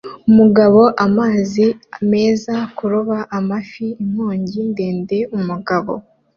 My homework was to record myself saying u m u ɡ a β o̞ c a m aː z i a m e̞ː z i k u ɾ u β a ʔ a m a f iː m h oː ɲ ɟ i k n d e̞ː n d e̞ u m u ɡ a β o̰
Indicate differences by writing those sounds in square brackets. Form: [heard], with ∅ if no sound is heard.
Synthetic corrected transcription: u m u ɡ a β o̞ [ʔ] a m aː z i a m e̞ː z [a] k u ɾ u β a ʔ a m a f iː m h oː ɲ ɟ i [∅] n d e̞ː n d e̞ u m u ɡ a β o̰